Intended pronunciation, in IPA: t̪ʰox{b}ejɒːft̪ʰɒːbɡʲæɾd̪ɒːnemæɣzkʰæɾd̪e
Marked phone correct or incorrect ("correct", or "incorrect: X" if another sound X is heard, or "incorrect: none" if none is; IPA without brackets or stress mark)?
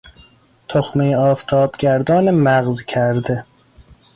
incorrect: m